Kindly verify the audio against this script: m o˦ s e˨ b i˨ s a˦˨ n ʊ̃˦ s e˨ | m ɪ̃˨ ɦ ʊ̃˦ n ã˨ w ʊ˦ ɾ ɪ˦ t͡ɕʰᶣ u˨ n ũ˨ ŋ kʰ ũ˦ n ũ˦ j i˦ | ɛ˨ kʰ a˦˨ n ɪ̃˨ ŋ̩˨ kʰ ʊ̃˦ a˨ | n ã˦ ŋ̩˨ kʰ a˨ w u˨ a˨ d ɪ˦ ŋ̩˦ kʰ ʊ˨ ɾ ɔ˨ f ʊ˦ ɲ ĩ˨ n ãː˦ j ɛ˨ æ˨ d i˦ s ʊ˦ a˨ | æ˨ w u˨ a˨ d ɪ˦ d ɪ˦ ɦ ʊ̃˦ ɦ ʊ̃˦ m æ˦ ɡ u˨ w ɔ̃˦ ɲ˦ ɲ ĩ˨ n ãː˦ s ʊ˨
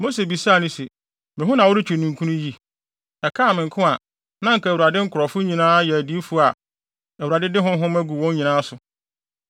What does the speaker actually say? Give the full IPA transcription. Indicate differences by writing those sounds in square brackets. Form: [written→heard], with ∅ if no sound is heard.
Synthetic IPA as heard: m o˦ s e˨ b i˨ s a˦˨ n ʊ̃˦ s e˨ | m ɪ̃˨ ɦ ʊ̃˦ n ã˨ w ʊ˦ ɾ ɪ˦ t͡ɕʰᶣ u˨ n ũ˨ ŋ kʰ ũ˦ n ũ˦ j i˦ | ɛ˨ kʰ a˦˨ [n→m] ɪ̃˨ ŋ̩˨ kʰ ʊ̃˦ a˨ | n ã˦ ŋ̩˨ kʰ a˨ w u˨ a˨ d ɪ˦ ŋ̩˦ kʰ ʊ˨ ɾ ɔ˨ f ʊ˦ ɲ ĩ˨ n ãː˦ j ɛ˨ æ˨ d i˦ [s→f] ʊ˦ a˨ | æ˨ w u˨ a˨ d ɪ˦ d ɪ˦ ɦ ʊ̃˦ ɦ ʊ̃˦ m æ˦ ɡ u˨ w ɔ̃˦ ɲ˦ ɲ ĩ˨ n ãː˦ s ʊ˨

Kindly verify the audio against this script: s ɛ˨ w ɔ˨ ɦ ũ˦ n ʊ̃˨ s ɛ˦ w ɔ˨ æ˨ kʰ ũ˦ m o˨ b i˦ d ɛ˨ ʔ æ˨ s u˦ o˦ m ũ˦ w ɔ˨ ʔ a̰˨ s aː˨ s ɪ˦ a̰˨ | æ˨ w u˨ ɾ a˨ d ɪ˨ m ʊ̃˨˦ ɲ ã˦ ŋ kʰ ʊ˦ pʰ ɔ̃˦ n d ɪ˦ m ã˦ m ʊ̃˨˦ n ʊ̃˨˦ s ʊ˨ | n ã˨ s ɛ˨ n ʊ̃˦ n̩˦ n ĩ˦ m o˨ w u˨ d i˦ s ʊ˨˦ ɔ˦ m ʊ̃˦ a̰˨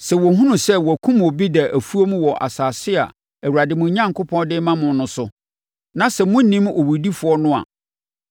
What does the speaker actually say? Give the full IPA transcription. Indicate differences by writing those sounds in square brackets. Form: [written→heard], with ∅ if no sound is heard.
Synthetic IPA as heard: s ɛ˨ w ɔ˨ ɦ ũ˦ n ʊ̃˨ s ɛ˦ w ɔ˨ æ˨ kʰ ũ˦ m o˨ b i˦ d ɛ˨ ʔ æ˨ [s→f] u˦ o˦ m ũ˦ w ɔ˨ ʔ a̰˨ s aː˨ s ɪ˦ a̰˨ | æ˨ w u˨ ɾ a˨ d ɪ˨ m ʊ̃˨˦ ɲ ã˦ ŋ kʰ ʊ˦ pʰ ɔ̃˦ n d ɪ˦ m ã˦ m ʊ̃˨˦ n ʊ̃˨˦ s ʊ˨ | n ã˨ s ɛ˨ [n→m] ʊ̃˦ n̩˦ n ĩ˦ m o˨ w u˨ d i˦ [s→f] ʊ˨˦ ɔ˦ [m→n] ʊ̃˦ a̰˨

